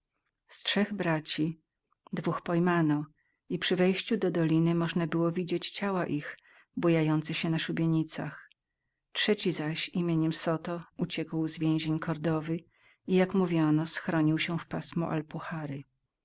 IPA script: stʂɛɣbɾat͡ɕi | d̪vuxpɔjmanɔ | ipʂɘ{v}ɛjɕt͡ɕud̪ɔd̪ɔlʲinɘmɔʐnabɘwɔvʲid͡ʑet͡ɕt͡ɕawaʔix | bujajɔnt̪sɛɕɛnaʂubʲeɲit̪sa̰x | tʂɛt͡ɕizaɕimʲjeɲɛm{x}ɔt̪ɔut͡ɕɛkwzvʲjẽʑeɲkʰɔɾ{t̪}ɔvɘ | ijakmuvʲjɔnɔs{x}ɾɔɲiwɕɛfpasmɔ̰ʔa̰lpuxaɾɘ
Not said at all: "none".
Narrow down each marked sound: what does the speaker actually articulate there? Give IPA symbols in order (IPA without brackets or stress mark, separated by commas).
v, s, d̪, x